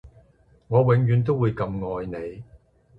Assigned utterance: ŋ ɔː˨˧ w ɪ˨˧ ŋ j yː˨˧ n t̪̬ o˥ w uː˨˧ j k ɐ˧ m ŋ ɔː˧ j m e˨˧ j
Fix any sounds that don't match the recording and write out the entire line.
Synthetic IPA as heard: ŋ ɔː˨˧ w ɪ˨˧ ŋ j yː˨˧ n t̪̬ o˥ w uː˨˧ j k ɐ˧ m ŋ ɔː˧ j n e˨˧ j